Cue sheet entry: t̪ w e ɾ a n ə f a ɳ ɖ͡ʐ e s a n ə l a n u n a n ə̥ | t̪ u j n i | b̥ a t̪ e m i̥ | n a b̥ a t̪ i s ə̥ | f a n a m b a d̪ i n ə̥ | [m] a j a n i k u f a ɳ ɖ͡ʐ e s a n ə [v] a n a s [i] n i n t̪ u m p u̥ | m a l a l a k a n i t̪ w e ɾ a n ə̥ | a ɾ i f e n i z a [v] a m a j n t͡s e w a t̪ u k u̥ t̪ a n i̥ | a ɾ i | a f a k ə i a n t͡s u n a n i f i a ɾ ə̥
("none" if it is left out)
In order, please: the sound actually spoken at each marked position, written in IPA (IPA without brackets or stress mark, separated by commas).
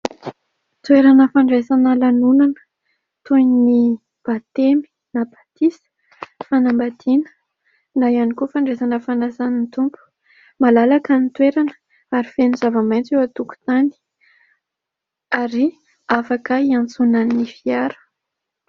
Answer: n, f, a, v